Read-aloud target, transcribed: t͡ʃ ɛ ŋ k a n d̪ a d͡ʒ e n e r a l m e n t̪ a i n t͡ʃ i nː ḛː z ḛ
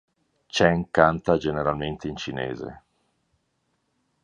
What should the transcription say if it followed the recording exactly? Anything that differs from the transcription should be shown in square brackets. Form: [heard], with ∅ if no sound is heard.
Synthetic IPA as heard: t͡ʃ ɛ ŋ k a n [t̪] a d͡ʒ e n e [ɾ] a l m e n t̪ [e] i n t͡ʃ i [n] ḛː z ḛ